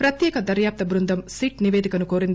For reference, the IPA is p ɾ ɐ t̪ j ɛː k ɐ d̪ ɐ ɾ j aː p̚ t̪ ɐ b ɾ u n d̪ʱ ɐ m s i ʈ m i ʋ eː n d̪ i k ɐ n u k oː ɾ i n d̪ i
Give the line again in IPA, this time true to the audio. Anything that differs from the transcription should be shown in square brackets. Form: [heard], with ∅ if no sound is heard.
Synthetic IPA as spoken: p ɾ ɐ t̪ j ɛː k ɐ d̪ ɐ ɾ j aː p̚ t̪ ɐ b ɾ u n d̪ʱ ɐ m s i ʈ [n] i ʋ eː [∅] d̪ i k ɐ n u k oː ɾ i n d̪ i